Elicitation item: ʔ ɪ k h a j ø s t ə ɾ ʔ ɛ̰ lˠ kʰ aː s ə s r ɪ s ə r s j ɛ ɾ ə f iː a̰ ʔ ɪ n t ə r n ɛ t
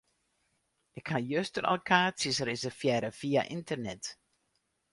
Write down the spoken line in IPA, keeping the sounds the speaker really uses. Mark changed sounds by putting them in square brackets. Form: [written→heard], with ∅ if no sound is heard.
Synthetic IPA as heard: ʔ ɪ k h a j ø s t ə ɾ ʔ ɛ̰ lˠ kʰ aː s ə s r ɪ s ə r [s→f] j ɛ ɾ ə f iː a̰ ʔ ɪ n t ə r n ɛ t